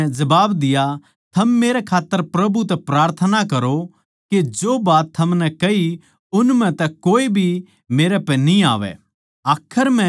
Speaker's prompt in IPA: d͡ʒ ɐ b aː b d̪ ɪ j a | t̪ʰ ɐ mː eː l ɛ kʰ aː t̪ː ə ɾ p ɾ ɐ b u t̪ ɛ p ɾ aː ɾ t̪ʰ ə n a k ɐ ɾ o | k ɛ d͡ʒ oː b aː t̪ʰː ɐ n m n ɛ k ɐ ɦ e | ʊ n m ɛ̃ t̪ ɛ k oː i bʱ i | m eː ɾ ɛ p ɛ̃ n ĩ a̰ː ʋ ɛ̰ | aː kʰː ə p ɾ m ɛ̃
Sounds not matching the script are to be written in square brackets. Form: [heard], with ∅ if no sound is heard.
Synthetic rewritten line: d͡ʒ ɐ b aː b d̪ ɪ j a | t̪ʰ ɐ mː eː [ɾ] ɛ kʰ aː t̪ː ə ɾ p ɾ ɐ b u t̪ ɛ p ɾ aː ɾ t̪ʰ ə n a k ɐ ɾ o | k [e] d͡ʒ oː b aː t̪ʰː ɐ [∅] m n ɛ k ɐ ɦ [i] | ʊ n m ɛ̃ t̪ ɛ k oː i bʱ i | m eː ɾ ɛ p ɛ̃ n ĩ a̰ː ʋ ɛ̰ | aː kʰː ə [∅] ɾ m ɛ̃